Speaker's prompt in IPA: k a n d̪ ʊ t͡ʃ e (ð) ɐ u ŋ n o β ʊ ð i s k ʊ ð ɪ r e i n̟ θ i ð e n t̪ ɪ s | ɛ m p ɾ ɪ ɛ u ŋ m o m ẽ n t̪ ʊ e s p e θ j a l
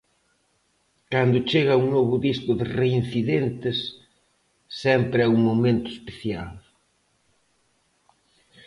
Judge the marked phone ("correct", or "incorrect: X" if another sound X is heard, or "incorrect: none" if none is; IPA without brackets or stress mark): incorrect: ɣ